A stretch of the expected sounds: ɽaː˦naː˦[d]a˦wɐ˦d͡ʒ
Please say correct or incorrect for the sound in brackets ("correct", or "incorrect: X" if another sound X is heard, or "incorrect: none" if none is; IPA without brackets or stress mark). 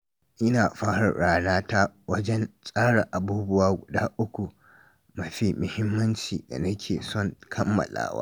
incorrect: t